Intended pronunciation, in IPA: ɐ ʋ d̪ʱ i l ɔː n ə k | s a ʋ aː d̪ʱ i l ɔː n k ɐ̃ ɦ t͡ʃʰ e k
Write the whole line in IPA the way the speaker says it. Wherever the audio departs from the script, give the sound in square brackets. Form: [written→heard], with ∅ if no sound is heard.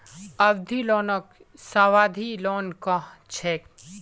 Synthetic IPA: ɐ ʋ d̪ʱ i l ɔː n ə k | s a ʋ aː d̪ʱ i l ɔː n k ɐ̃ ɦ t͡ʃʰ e k